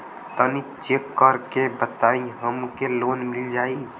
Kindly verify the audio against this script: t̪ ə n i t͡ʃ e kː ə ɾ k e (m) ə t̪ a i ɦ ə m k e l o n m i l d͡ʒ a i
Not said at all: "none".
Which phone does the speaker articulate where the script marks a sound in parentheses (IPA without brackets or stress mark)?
b